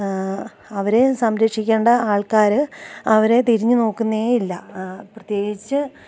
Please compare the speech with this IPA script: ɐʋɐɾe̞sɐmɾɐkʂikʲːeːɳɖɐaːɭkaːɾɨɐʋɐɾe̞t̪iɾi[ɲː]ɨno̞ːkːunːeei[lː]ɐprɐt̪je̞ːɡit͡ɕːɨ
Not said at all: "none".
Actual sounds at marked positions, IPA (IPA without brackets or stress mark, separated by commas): ɲː, lː